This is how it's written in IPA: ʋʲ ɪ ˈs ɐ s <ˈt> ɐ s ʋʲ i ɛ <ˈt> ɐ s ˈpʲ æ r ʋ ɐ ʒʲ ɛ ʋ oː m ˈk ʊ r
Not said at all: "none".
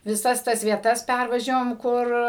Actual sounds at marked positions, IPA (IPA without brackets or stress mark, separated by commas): t, t